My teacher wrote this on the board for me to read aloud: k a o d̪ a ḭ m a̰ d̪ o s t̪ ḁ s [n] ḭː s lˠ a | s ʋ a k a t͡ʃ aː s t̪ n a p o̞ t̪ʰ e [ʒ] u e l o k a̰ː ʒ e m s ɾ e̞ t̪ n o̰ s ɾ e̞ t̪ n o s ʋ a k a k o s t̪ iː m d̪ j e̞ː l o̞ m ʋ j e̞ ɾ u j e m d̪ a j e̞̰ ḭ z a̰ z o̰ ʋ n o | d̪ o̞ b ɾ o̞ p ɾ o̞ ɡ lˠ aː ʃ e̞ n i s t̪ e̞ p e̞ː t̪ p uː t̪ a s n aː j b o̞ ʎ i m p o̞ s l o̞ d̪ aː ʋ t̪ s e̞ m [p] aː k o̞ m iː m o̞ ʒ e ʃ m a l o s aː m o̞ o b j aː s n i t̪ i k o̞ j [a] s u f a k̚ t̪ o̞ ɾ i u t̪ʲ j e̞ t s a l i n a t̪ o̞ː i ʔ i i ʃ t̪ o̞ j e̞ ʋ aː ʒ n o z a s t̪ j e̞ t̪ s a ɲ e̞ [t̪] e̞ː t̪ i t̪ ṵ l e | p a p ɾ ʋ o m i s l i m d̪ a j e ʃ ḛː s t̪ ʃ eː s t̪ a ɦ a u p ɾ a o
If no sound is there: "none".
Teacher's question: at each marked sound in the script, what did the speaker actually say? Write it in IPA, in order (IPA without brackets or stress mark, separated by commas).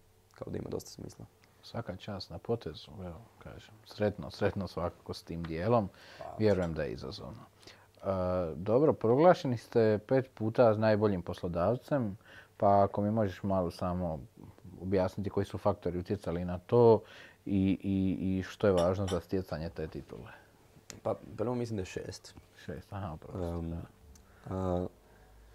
m, z, p, i, t̪